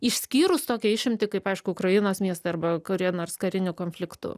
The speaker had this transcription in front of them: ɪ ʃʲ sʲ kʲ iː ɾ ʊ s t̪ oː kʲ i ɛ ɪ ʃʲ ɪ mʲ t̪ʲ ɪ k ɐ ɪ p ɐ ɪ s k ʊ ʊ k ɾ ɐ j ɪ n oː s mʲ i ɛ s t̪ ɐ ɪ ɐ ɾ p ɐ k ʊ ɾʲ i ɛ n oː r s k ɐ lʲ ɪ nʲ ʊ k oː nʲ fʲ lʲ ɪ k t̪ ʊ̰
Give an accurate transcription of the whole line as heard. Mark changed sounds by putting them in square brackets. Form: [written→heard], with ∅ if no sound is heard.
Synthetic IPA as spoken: ɪ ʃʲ sʲ kʲ iː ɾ ʊ s t̪ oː kʲ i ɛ ɪ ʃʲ ɪ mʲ t̪ʲ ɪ k ɐ ɪ p ɐ ɪ [s→ʃ] k ʊ ʊ k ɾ ɐ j ɪ n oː s mʲ i ɛ s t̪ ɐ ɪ ɐ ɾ [p→b] ɐ k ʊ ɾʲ i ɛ n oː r s k ɐ [lʲ→ɾʲ] ɪ nʲ ʊ k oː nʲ fʲ lʲ ɪ k t̪ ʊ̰